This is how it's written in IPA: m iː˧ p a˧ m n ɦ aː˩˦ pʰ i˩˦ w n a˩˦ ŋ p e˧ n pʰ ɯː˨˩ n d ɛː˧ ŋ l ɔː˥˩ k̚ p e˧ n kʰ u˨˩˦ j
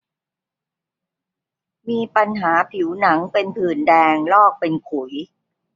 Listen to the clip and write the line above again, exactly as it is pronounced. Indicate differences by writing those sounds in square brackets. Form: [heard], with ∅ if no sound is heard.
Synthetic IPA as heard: m iː˧ p a˧ [∅] n ɦ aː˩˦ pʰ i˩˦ w n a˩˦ ŋ p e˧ n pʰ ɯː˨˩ n d ɛː˧ ŋ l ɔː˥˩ k̚ p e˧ n kʰ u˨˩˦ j